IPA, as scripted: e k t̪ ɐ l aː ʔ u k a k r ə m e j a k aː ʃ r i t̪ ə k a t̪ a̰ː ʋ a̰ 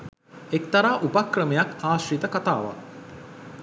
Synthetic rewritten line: e k t̪ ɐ ɾ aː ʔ u p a k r ə m e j a k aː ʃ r i t̪ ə k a t̪ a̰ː ʋ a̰

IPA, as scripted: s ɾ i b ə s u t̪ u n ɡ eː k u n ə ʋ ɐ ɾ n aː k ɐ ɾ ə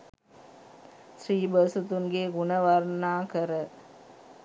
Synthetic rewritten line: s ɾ iː b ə s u t̪ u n ɡ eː ɡ u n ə ʋ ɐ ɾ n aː k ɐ ɾ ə

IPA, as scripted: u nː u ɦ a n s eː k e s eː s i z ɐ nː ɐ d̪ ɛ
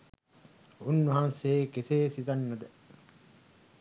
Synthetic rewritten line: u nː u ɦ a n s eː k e s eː s i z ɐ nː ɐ d̪ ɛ

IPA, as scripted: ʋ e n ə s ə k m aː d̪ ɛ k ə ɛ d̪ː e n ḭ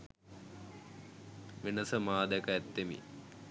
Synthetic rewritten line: ʋ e n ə s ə m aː d̪ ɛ k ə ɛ t̪ː e m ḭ

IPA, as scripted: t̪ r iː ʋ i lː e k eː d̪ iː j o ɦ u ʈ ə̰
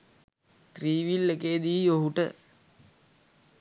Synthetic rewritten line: t̪ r iː ʋ i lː e k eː d̪ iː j o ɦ u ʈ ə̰

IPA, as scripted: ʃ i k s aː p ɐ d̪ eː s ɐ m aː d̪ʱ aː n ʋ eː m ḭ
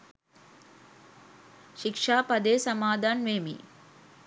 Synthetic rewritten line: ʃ i k ʂ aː p ɐ d̪ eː s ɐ m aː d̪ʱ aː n ʋ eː m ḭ

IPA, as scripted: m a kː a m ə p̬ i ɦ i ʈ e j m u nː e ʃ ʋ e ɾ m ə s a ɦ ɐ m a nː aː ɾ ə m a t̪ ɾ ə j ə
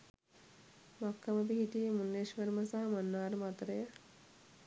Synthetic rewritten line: m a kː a m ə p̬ i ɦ i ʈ i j m u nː e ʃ ʋ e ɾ m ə s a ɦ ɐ m a nː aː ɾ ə m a t̪ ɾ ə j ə

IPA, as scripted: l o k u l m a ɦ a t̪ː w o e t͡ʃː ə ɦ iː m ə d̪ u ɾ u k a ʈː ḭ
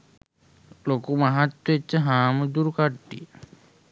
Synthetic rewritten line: l o k u m a ɦ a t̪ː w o e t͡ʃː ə ɦ aː m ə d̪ u ɾ u k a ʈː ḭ

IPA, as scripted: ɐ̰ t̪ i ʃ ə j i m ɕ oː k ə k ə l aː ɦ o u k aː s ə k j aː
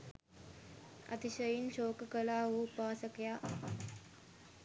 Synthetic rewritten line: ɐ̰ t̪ i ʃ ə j i n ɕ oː k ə k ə l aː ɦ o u p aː s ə k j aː

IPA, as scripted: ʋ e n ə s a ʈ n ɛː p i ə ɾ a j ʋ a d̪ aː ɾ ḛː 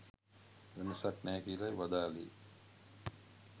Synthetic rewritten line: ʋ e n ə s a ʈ n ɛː k i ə l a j ʋ a d̪ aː l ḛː

